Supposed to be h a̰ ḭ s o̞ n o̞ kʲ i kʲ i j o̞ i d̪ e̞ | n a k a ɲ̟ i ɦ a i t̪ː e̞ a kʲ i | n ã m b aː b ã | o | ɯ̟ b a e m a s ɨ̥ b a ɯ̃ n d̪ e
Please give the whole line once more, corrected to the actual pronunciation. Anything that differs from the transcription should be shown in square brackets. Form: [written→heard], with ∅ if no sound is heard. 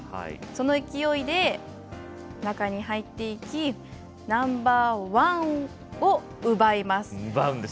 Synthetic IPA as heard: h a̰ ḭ s o̞ n o̞ [kʲ→∅] i kʲ i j o̞ i d̪ e̞ | n a k a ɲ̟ i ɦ a i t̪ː e̞ [a→i] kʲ i | n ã m b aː [b→β] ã | o | ɯ̟ b a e m a s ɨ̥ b a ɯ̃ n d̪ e